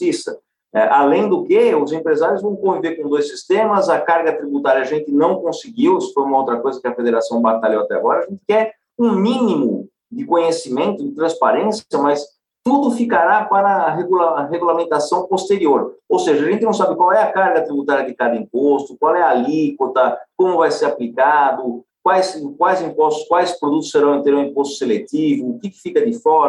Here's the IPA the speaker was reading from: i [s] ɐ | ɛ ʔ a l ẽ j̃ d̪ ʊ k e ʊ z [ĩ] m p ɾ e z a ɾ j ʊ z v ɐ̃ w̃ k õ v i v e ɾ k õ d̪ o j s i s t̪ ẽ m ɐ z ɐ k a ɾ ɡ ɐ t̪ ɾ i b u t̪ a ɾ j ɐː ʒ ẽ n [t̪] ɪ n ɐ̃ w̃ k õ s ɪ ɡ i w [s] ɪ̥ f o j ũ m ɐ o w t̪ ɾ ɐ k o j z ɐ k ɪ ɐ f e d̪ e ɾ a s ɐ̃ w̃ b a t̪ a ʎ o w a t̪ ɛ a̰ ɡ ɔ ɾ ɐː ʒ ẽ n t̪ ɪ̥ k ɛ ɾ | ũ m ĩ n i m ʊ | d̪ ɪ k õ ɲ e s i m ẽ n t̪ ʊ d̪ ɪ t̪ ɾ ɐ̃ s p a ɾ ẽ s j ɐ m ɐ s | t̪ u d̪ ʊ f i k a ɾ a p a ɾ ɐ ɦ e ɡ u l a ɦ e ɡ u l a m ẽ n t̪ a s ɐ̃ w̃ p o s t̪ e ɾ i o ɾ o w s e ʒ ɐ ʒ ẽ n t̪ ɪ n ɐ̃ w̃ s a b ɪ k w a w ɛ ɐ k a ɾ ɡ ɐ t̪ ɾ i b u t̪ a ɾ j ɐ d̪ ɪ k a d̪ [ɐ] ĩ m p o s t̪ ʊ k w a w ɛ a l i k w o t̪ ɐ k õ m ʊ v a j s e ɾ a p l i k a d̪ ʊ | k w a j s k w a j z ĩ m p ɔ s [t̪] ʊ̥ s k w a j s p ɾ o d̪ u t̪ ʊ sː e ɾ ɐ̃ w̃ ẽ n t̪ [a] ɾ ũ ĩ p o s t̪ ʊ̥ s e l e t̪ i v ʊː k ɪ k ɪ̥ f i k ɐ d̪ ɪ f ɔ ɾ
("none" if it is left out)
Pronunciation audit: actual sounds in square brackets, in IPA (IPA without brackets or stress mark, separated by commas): s, ẽ, t̪, s, ɐ, t̪, e